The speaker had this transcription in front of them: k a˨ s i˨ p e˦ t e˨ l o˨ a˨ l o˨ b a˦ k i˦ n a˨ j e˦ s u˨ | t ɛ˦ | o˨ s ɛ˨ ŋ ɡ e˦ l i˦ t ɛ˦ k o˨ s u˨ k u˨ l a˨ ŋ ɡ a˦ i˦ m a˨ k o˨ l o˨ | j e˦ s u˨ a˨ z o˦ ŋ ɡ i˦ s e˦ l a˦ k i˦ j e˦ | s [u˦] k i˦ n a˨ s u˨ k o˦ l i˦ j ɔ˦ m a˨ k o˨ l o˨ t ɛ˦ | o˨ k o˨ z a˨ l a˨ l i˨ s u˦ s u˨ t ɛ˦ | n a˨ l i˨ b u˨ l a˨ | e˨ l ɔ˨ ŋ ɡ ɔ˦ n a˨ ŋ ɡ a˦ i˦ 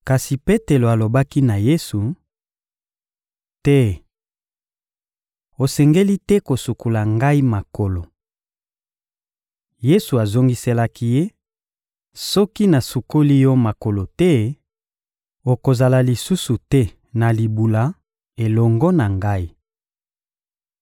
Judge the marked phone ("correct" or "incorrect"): incorrect